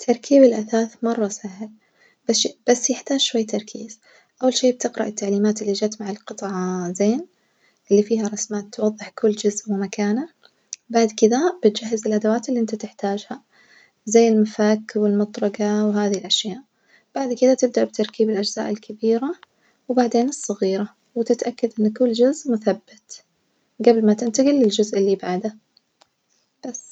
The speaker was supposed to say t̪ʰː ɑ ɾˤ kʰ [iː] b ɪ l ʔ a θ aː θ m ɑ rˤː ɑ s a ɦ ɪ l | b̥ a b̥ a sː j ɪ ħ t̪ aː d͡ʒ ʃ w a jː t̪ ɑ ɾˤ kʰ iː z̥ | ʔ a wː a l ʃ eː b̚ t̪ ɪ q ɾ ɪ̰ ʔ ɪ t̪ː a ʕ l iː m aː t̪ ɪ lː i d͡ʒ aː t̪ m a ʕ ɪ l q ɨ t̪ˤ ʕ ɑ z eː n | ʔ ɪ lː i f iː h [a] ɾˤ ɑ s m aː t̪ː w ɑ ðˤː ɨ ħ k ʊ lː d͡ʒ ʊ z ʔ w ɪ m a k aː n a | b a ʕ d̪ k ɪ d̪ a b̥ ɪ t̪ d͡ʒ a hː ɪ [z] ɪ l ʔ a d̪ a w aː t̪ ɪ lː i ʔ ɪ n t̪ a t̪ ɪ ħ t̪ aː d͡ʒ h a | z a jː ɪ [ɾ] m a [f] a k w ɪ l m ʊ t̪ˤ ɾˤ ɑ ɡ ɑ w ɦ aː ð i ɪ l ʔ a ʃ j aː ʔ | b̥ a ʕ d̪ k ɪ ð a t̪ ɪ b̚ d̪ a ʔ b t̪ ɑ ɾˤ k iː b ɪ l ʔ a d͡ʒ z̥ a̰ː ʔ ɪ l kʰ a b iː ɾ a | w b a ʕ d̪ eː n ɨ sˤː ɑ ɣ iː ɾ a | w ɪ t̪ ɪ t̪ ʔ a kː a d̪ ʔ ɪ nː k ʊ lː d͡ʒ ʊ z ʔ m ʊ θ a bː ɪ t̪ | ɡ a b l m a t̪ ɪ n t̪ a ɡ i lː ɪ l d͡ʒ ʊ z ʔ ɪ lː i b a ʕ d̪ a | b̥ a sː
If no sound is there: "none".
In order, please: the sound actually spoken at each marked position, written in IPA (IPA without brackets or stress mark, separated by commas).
iː, a, z, l, f